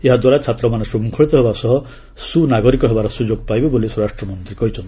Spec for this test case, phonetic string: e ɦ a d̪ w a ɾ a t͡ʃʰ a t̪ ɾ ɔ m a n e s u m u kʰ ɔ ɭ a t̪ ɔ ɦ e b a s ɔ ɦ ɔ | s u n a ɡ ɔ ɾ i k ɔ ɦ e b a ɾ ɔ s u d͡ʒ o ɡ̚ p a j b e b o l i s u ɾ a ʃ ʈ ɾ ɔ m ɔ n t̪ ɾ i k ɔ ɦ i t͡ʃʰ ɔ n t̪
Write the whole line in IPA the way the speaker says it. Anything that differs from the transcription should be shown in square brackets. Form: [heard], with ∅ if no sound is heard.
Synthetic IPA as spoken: e ɦ a d̪ w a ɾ a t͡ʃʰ a t̪ ɾ ɔ m a n e s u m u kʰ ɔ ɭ [i] t̪ ɔ ɦ e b a s ɔ ɦ ɔ | s u n a ɡ ɔ ɾ i k ɔ ɦ e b a ɾ ɔ s u d͡ʒ o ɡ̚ p a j b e b o l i s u ɾ a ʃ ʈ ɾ ɔ m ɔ n t̪ ɾ i k ɔ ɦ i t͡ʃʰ ɔ n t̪